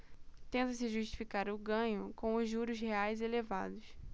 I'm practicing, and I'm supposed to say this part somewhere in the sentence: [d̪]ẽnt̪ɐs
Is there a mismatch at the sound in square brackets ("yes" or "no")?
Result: yes